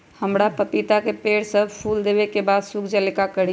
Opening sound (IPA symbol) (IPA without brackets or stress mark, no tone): h